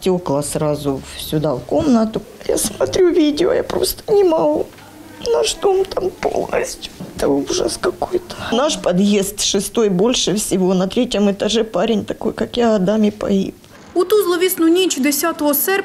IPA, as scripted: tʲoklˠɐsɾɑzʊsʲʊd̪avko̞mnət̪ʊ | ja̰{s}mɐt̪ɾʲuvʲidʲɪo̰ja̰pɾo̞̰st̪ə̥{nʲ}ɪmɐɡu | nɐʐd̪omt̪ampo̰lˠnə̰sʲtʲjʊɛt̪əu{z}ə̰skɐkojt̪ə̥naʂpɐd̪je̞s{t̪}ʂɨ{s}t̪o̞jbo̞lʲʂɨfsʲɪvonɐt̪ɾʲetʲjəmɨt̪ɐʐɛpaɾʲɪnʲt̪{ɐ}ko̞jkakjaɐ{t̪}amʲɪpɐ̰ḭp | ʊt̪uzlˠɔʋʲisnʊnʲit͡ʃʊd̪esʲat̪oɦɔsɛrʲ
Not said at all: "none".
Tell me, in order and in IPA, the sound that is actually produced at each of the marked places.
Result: s, nʲ, ʐ, t̪, s, ɐ, d̪

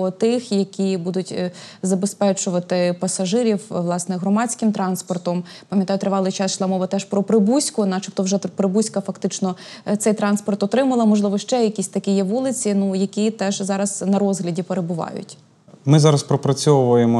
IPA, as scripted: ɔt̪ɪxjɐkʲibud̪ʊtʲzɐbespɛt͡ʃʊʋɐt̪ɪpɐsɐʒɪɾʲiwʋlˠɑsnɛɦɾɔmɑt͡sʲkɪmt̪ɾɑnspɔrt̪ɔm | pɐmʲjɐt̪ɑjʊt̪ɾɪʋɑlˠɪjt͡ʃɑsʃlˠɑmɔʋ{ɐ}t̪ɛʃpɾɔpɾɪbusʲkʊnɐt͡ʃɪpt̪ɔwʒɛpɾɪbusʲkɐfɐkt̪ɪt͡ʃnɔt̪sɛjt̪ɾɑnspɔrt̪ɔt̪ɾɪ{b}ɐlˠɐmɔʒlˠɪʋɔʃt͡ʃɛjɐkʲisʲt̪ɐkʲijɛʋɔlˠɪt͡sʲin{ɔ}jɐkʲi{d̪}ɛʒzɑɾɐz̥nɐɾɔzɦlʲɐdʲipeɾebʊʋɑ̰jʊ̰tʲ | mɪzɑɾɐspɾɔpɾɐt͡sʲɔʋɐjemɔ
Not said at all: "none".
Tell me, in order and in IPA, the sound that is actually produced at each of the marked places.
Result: ɐ, m, u, t̪

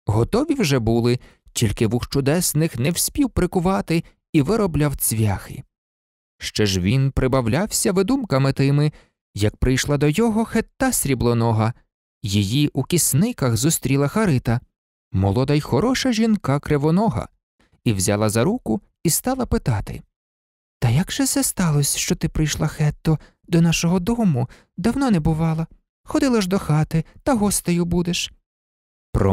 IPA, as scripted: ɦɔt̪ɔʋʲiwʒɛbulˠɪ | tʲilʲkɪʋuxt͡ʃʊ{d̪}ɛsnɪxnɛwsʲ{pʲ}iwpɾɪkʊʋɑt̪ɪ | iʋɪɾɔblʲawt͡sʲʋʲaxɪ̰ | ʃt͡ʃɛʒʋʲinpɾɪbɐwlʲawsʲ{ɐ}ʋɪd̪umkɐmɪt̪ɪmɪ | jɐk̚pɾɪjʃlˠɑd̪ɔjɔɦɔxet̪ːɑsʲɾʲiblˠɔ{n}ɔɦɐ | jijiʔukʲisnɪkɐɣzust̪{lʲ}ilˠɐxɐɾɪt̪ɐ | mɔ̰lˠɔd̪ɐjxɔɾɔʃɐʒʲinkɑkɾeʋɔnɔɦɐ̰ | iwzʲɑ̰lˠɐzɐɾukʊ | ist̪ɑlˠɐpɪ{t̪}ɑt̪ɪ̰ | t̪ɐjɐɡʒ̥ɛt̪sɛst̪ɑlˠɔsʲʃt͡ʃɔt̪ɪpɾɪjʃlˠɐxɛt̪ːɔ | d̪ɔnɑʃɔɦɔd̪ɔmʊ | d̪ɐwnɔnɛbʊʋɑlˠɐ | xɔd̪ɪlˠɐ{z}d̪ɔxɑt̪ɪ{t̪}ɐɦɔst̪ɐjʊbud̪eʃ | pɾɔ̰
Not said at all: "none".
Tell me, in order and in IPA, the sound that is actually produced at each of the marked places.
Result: d̪, pʲ, ɐ, n, ɾʲ, t̪, ʒ, t̪

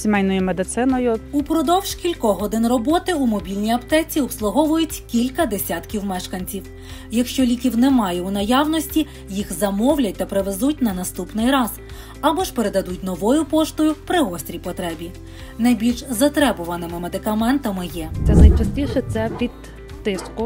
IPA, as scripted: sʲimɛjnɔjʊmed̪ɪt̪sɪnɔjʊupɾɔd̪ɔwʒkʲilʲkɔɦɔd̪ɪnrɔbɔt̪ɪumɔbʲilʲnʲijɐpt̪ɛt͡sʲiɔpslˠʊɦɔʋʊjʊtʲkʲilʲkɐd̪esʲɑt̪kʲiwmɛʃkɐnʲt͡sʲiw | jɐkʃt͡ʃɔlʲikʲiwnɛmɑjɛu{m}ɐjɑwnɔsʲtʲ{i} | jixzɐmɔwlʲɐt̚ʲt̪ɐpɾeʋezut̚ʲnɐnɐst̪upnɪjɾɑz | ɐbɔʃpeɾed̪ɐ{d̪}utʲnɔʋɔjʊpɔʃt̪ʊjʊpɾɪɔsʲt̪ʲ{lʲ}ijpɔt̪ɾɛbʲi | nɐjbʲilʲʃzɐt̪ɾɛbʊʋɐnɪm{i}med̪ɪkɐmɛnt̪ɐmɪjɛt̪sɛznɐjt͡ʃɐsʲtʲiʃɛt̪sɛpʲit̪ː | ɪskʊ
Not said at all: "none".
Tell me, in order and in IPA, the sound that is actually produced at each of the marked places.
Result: n, i, d̪, ɾʲ, ɪ

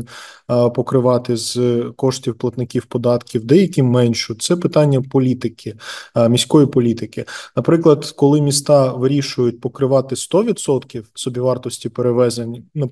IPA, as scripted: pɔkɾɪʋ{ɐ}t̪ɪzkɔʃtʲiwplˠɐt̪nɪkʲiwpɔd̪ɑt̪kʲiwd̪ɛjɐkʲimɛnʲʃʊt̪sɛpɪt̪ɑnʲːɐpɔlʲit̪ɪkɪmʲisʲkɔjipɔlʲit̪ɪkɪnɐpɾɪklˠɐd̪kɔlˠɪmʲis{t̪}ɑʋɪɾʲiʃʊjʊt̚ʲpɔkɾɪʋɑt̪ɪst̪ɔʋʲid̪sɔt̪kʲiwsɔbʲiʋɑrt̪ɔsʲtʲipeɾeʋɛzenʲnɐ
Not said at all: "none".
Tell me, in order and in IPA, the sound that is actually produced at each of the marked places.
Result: ɑ, t̪

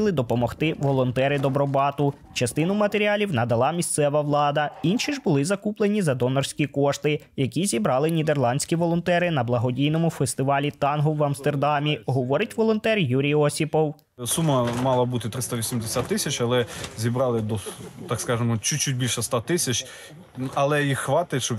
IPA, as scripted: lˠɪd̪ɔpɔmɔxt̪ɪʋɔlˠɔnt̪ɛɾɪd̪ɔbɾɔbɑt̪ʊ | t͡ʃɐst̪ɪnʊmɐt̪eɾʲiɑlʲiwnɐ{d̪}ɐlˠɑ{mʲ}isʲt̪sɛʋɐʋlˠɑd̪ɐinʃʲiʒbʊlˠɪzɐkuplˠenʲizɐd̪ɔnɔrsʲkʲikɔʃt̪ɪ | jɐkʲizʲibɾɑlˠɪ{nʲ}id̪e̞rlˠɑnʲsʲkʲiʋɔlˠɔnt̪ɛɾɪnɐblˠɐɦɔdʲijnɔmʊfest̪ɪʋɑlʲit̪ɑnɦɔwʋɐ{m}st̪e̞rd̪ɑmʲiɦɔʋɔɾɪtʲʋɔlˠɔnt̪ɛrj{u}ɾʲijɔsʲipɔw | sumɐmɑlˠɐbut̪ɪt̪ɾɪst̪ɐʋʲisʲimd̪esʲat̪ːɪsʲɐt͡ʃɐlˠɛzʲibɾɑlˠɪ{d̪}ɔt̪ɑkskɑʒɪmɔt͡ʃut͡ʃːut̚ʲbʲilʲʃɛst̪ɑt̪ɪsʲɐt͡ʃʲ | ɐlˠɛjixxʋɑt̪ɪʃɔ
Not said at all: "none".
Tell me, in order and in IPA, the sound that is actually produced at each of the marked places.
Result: d̪, mʲ, nʲ, m, u, d̪

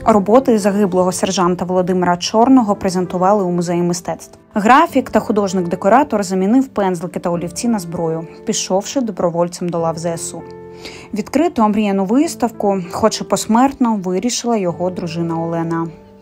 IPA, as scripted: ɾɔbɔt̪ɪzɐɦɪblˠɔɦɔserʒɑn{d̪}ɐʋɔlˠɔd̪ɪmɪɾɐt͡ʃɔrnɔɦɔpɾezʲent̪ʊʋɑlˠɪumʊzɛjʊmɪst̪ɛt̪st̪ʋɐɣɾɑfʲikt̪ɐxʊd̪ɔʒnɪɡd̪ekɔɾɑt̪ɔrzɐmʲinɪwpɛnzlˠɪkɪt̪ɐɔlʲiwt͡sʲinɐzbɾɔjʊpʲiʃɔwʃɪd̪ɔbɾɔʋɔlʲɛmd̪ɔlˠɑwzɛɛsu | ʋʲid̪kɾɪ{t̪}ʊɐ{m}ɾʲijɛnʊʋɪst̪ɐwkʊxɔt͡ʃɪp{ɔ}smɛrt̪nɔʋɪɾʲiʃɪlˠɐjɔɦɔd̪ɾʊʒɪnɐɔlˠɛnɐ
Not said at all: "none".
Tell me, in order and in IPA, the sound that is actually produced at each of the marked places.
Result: t̪, t̪, m, ɔ

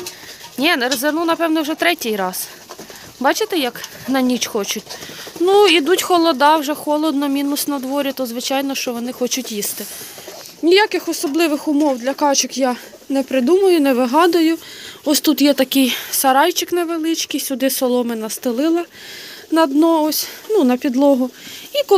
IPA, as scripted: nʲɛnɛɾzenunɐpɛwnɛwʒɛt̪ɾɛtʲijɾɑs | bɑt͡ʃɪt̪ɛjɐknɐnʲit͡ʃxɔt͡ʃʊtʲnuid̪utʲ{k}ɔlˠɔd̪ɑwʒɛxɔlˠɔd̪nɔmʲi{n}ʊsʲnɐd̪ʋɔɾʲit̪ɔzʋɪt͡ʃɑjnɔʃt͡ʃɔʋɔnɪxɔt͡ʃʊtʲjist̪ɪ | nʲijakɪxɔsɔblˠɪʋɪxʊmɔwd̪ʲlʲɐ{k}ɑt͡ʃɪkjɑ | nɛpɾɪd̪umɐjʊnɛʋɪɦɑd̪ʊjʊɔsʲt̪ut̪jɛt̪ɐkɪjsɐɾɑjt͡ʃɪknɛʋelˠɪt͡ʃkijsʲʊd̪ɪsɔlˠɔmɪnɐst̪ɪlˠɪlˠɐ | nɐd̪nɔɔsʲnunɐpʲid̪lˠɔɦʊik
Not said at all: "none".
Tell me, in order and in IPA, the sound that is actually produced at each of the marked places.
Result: x, n, k

